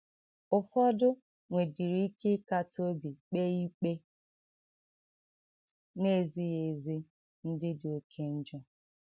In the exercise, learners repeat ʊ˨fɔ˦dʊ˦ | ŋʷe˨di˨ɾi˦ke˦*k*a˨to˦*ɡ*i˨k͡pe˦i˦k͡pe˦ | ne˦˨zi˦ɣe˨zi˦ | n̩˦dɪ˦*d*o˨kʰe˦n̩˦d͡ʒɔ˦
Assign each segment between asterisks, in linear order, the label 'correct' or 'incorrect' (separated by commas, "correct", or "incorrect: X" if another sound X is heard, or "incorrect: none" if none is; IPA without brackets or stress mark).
correct, incorrect: b, correct